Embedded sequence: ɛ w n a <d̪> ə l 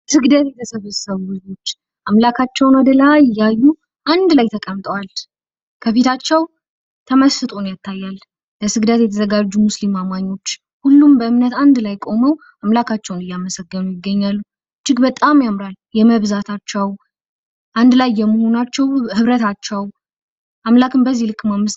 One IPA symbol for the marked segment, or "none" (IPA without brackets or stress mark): d̪